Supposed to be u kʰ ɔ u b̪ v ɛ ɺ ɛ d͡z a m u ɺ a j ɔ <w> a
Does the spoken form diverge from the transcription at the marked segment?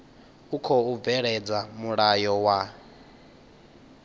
no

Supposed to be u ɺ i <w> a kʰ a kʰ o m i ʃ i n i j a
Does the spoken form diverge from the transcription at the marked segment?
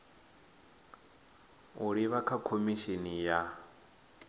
yes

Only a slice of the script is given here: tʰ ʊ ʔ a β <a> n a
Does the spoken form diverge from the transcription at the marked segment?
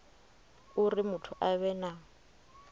yes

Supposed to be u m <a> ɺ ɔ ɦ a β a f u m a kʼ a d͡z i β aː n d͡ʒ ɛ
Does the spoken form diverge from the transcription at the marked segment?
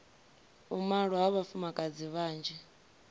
no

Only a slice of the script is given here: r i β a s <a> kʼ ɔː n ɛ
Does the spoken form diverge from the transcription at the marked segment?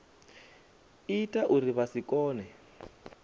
yes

